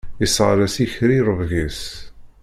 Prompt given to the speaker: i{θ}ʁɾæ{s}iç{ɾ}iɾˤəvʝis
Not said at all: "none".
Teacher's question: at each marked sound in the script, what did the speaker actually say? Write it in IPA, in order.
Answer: s, s, ɾ

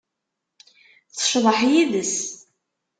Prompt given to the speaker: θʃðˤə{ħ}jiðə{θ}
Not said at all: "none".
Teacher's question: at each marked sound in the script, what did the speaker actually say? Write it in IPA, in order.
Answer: ħ, s

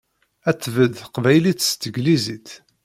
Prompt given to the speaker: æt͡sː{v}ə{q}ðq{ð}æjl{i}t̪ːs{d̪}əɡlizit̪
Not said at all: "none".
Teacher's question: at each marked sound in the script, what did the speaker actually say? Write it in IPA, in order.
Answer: v, none, v, i, t̪

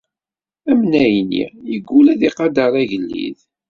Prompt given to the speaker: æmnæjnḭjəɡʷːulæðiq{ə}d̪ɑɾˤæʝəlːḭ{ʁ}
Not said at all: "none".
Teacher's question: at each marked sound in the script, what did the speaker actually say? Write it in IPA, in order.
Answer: ɑ, ð

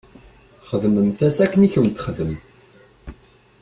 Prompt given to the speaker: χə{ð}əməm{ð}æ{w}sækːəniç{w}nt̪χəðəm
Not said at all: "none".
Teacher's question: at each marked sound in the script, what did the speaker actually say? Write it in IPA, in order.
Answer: ð, θ, none, w

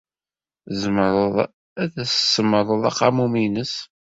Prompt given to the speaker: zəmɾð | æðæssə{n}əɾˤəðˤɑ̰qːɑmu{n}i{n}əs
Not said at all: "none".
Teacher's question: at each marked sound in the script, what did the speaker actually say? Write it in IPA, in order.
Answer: m, m, n

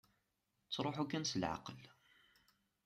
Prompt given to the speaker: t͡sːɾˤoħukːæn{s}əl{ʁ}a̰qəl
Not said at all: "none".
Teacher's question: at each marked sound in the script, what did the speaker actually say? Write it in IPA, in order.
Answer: s, ʕ

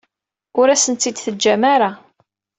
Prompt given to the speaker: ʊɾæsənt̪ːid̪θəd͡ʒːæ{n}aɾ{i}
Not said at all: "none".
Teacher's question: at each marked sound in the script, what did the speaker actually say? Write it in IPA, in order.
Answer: m, a

